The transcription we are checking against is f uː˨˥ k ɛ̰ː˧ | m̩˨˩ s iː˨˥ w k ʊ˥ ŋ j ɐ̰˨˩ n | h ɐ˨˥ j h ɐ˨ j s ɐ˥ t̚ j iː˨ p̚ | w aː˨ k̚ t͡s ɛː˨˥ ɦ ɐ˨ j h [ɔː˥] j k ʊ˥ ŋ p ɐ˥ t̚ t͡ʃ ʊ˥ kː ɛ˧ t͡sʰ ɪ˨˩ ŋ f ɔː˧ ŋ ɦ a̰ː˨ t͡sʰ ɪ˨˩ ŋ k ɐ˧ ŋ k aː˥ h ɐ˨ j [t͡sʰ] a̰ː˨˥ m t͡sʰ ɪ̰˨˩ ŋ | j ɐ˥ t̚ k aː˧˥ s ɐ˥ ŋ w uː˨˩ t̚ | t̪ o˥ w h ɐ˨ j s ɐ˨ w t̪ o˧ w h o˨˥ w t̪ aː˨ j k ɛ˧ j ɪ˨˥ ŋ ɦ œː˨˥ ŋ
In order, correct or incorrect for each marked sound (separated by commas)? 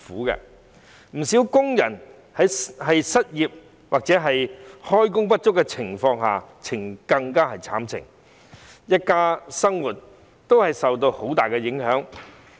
correct, correct